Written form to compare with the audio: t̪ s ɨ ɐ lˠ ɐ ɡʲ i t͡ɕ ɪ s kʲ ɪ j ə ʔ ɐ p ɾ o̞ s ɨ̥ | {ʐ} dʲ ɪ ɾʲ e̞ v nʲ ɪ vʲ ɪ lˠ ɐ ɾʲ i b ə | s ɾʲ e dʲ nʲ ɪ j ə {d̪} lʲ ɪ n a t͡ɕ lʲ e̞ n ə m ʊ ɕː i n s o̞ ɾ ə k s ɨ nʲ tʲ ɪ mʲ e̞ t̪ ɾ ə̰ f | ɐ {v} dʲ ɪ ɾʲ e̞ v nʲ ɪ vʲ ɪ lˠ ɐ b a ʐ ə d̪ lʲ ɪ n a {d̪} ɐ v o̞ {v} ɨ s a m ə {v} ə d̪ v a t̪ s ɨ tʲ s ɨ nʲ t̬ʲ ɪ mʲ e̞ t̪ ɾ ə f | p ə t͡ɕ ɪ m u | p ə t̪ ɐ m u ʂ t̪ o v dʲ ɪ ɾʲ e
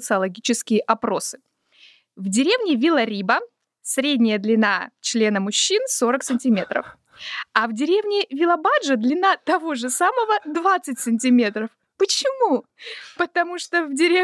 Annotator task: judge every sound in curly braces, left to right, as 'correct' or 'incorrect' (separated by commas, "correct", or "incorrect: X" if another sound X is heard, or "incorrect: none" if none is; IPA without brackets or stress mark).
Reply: incorrect: v, correct, correct, incorrect: t̪, incorrect: ʐ, correct